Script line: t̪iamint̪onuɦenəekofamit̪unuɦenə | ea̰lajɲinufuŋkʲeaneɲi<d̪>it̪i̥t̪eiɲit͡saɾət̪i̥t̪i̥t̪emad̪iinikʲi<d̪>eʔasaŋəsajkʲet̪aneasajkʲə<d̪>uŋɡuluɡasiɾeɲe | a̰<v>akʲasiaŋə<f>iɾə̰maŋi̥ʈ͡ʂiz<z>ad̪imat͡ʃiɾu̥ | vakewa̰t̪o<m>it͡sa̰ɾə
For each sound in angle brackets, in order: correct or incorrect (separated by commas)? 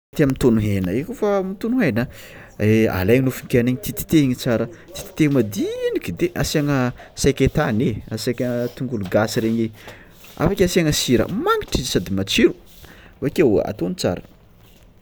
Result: incorrect, correct, incorrect, incorrect, incorrect, incorrect, incorrect